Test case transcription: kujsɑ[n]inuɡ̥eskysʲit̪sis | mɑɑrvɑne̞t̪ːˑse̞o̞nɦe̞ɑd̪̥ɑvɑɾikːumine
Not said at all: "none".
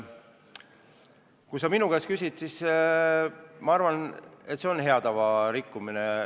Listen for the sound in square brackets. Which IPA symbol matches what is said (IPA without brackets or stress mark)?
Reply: m